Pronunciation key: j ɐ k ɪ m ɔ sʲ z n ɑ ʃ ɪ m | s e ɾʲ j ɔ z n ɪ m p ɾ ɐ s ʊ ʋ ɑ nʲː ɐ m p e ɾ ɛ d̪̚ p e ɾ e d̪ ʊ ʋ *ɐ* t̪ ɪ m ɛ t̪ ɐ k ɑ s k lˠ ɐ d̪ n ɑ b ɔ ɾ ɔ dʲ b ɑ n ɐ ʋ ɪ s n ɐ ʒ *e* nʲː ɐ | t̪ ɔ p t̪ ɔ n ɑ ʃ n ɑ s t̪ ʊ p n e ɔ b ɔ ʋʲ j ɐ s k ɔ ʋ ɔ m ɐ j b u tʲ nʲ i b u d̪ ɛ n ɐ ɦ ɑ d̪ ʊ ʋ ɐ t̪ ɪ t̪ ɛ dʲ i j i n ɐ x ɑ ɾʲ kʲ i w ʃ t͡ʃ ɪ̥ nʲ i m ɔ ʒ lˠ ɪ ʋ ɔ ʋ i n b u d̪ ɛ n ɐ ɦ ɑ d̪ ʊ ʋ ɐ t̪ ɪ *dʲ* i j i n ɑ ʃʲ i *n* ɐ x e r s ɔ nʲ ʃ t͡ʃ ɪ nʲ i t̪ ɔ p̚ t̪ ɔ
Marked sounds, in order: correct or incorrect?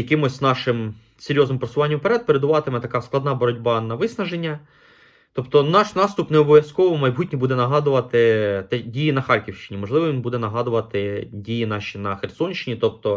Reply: incorrect: ɑ, correct, correct, correct

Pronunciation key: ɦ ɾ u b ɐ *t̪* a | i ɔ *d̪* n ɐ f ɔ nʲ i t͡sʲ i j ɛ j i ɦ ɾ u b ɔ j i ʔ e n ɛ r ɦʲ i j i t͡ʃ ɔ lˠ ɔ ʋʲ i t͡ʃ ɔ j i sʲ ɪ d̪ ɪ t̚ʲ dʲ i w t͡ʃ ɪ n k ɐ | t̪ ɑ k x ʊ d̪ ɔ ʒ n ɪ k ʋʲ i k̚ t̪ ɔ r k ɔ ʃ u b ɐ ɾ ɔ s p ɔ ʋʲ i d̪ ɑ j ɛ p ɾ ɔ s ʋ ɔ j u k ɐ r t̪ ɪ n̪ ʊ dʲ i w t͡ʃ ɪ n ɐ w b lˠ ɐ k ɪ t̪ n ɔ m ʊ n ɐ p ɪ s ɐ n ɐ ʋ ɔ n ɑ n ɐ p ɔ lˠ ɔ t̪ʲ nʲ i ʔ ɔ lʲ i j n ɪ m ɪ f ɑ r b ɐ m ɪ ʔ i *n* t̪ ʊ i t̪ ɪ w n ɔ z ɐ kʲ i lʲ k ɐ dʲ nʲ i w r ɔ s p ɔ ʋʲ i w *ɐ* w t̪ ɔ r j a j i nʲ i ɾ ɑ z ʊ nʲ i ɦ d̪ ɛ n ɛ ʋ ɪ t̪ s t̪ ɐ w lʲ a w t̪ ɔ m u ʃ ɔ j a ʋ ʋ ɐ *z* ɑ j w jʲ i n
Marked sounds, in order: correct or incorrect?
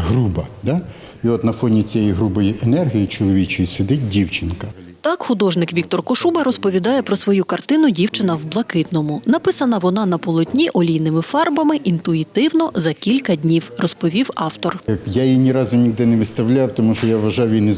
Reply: incorrect: d̪, incorrect: t̪, correct, incorrect: ɑ, incorrect: ʒ

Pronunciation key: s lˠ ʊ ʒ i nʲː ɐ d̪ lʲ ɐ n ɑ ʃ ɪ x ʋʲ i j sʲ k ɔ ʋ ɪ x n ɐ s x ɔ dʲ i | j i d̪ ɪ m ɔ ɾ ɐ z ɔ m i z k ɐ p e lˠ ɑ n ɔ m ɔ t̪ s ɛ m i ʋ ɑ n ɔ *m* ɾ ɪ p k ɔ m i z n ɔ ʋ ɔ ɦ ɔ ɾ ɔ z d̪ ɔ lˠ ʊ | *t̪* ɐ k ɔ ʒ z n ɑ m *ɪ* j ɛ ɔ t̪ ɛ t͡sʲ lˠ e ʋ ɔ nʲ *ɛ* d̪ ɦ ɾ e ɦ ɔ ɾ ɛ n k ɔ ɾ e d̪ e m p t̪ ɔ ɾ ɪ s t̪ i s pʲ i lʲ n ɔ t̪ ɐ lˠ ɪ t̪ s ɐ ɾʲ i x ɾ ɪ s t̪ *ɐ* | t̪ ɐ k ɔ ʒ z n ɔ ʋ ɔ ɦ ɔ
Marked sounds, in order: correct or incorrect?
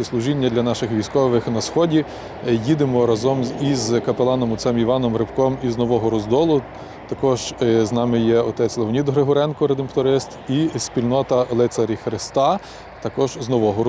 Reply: correct, correct, correct, incorrect: i, incorrect: ɑ

